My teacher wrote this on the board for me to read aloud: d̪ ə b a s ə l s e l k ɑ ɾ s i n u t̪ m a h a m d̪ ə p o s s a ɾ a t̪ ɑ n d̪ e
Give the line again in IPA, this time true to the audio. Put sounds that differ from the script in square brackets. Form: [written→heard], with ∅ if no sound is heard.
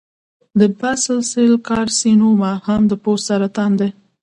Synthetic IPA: d̪ ə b a s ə l s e l k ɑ ɾ s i n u [t̪→∅] m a h a m d̪ ə p o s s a ɾ a t̪ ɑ n d̪ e